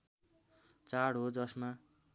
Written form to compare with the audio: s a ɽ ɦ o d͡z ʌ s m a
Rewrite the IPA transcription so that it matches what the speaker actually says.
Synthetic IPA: t͡s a ɽ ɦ o d͡z ʌ s m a